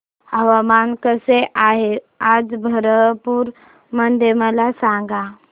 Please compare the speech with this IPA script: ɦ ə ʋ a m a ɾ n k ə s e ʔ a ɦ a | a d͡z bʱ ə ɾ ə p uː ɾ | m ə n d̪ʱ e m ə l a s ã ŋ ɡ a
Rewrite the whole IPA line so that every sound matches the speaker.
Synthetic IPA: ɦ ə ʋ a m a n k ə s e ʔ a ɦ e | a d͡z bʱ ə ɾ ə p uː ɾ | m ə n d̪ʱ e m ə l a s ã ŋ ɡ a